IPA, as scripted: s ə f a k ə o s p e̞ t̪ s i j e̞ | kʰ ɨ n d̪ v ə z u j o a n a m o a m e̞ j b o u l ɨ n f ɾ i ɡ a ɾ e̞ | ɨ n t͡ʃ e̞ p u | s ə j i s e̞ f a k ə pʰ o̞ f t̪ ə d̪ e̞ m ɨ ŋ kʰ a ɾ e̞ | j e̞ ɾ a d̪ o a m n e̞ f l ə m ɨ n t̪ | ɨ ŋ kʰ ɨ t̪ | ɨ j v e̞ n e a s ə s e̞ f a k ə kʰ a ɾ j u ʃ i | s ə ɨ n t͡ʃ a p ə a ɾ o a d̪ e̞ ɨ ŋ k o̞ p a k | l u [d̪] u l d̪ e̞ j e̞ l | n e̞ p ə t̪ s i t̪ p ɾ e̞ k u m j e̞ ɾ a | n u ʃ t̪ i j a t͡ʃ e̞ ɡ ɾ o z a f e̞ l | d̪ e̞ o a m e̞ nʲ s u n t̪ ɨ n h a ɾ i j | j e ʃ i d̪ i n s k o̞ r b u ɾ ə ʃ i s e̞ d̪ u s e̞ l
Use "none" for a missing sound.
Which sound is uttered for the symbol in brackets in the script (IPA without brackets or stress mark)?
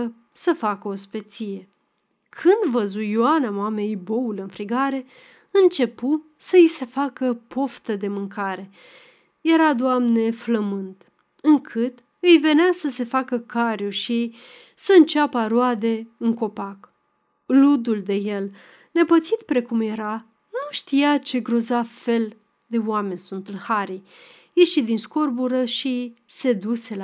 d̪